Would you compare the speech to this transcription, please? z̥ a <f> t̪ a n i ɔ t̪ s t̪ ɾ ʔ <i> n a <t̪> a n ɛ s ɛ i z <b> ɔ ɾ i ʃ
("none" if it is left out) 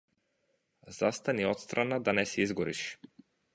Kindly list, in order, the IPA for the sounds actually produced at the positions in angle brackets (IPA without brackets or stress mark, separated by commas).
s, a, d̪, ɡ